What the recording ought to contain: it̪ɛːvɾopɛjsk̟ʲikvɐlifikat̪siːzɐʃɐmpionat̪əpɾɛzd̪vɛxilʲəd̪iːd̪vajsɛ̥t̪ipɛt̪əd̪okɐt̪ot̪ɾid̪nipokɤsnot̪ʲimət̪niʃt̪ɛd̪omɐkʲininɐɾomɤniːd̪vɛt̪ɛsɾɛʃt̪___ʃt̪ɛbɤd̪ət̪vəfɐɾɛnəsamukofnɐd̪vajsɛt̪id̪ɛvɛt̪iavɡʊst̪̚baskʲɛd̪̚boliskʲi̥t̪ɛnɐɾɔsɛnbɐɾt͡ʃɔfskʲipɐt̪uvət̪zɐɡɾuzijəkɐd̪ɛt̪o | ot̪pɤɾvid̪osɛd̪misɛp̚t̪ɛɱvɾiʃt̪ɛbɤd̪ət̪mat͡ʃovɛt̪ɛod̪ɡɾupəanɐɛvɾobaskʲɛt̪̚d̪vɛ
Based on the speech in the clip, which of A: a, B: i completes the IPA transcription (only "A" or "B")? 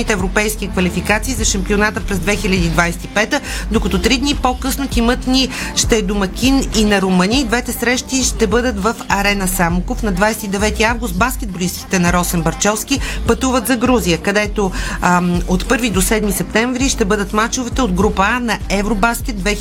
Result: B